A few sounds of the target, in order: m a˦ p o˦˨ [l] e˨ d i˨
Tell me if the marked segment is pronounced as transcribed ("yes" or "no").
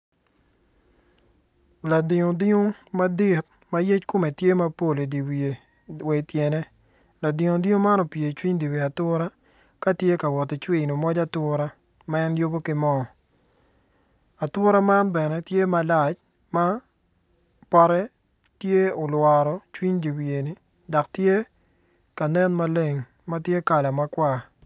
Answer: yes